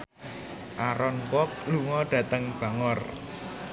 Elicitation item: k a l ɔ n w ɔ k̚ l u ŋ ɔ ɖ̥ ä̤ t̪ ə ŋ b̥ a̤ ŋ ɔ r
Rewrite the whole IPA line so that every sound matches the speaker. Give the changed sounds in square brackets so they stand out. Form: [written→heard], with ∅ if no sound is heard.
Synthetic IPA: [k→ʔ] a [l→ɾ] ɔ n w ɔ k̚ l u ŋ ɔ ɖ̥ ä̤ t̪ ə ŋ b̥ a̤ ŋ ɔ r